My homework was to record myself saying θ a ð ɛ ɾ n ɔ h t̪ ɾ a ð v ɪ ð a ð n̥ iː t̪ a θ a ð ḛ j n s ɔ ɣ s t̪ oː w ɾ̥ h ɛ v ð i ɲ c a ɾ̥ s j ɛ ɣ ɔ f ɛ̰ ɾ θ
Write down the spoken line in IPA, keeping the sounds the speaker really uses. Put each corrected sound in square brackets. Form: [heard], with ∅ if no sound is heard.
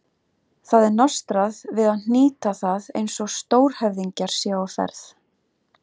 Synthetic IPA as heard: θ a ð ɛ ɾ n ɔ [s] t̪ ɾ a ð v ɪ ð a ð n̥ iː t̪ a θ a ð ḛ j n s ɔ ɣ s t̪ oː w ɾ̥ h ɛ v ð i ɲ c a ɾ̥ s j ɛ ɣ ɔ f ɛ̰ ɾ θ